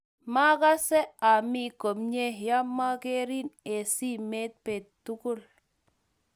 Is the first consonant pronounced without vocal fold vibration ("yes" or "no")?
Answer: no